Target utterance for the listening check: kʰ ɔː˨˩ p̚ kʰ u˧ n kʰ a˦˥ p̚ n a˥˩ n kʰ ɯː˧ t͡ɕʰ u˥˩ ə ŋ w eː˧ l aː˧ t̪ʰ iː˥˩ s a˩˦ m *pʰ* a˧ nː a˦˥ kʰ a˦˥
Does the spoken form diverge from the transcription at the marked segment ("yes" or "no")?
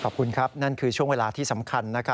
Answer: yes